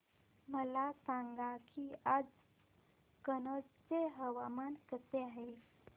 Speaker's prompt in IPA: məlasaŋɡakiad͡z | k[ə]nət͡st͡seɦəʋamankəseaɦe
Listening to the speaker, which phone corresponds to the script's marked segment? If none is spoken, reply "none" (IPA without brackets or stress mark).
ə